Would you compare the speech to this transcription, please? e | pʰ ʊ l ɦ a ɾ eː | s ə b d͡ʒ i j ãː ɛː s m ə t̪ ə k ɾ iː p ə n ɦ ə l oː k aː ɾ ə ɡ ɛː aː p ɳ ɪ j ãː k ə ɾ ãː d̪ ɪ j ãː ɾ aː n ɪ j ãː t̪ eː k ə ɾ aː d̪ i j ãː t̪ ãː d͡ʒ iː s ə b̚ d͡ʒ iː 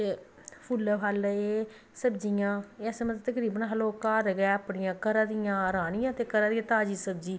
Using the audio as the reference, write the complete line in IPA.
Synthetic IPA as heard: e | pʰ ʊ l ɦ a l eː | s ə b d͡ʒ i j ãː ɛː s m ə t̪ ə k ɾ iː b ə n ɦ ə l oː k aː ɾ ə ɡ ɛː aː p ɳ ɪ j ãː k ə ɾ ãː d̪ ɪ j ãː ɾ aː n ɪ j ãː t̪ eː k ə ɾ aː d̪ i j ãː t̪ aː d͡ʒ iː s ə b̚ d͡ʒ iː